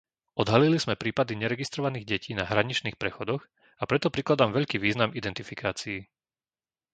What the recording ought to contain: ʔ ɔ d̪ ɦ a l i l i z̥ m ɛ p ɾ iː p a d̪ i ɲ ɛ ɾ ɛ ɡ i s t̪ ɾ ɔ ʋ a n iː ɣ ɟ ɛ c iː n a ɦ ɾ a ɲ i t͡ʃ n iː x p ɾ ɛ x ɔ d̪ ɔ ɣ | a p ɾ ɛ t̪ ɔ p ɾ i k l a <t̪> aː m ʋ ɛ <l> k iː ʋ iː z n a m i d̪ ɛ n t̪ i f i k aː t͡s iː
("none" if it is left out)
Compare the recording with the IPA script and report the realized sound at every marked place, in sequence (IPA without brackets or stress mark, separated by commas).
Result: d̪, ʎ